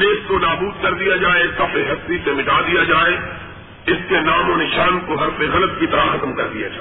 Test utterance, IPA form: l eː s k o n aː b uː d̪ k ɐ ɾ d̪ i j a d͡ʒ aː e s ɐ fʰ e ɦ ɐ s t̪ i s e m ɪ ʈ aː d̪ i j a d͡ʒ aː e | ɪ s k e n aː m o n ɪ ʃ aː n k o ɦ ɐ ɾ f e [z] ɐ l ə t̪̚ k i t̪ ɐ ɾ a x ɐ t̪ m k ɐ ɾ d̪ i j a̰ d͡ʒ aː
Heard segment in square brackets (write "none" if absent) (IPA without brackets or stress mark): ɣ